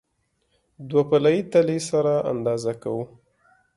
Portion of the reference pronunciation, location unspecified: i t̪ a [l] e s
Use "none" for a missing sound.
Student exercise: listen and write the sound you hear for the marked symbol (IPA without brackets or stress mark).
l